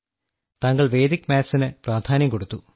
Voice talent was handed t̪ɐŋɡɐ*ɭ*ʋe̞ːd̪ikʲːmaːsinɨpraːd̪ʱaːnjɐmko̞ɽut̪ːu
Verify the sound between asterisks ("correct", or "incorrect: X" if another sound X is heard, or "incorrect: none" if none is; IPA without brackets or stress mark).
correct